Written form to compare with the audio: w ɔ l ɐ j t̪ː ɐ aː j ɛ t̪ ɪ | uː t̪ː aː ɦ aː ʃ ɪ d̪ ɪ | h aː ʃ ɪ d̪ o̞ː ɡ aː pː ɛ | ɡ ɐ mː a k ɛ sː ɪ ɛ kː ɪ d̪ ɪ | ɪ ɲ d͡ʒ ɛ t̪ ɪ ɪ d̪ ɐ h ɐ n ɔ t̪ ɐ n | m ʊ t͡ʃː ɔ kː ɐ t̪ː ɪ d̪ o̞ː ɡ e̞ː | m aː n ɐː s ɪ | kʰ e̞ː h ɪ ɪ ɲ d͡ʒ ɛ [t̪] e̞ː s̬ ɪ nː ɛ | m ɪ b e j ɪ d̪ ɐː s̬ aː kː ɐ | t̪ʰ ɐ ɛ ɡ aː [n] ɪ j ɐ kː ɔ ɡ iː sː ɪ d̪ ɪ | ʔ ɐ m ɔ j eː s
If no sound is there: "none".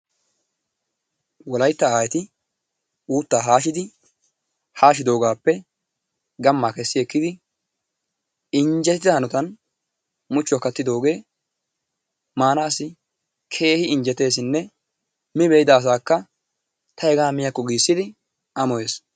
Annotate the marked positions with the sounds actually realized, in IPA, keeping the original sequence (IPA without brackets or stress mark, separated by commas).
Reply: t̪, m